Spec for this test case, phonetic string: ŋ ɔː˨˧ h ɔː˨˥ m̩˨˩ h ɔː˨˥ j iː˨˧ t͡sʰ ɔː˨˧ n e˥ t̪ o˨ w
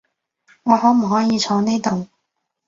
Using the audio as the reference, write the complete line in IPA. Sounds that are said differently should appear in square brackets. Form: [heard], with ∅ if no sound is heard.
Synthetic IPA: ŋ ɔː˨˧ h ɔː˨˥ m̩˨˩ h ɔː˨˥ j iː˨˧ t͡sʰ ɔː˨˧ n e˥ t̪ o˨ w